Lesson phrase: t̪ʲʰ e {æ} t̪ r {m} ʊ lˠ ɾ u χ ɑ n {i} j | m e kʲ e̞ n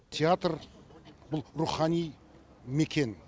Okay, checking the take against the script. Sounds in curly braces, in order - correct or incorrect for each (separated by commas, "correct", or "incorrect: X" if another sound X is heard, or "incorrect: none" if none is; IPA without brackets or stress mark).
incorrect: a, incorrect: b, correct